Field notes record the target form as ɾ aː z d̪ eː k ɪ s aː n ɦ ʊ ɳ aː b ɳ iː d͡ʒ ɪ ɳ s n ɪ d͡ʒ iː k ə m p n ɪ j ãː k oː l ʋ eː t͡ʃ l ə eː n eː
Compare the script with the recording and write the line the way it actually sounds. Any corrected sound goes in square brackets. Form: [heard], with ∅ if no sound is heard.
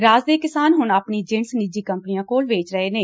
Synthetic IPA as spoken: ɾ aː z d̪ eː k ɪ s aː n ɦ ʊ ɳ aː [p] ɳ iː d͡ʒ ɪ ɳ s n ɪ d͡ʒ iː k ə m p n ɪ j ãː k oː l ʋ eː t͡ʃ [ɾ] ə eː n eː